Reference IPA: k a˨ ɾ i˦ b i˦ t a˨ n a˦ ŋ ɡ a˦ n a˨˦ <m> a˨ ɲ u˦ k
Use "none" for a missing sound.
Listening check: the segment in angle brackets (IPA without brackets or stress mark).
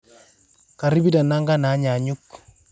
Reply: ɲ